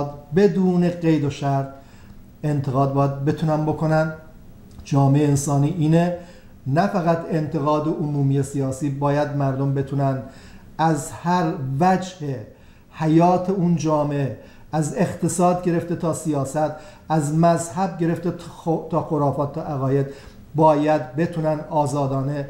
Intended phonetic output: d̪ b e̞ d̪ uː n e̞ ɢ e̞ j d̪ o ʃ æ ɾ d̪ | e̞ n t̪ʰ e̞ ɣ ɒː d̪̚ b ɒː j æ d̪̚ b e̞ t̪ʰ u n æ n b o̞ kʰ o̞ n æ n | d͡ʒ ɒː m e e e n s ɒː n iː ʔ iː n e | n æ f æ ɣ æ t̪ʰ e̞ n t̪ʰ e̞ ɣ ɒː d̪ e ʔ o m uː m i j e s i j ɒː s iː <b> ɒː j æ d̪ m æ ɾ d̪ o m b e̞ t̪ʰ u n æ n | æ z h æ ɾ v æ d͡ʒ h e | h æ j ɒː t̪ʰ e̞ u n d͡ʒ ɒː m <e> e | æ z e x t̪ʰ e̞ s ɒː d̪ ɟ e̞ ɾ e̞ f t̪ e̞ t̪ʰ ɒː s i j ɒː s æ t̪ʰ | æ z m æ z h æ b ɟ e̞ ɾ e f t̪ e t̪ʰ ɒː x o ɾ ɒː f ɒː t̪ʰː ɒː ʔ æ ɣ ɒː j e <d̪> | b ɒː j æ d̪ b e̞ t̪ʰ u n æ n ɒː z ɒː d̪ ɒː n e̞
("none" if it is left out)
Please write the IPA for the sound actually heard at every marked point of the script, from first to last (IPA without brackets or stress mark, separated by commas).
b, e, d̪